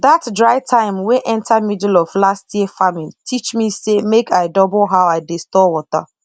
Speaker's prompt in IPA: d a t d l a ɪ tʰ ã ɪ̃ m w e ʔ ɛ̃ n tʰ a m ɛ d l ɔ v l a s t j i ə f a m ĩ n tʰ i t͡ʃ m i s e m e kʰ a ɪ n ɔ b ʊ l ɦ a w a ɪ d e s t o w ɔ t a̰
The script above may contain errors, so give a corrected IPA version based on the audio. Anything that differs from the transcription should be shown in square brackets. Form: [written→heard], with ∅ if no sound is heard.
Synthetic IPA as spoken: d a t d [l→ɹ] a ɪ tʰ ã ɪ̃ m w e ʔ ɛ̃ n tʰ a m [ɛ→i] d l ɔ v l a s t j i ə f a m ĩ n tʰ i t͡ʃ m i s e m e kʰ a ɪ [n→d] ɔ b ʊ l ɦ a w a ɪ d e s t [o→ɔ] w ɔ t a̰